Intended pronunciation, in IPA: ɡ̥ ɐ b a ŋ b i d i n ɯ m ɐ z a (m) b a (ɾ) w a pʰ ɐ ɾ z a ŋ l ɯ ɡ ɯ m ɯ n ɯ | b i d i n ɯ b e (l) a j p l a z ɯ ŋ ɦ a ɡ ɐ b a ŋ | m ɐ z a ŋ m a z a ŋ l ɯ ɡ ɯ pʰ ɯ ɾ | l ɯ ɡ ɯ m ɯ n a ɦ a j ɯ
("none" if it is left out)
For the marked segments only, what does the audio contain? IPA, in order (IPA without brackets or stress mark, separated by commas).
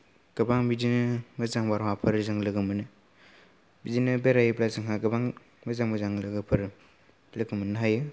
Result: ŋ, ɾ, ɾ